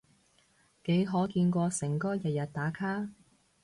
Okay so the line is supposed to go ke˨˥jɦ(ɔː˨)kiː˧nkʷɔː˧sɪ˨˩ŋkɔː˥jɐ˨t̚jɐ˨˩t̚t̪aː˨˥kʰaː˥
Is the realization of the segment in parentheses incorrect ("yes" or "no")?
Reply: yes